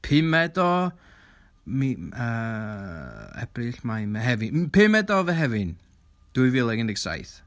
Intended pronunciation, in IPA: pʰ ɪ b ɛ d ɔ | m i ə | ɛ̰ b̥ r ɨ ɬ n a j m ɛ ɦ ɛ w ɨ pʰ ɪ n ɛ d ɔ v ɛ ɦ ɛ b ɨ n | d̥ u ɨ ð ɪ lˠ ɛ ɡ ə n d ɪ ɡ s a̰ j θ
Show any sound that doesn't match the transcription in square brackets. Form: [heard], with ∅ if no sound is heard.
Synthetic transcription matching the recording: pʰ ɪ [m] ɛ d ɔ | m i ə | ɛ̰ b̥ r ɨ ɬ [m] a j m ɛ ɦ ɛ [v] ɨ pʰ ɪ [m] ɛ d ɔ v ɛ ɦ ɛ [v] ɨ n | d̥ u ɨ [v] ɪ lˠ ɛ ɡ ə n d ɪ ɡ s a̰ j θ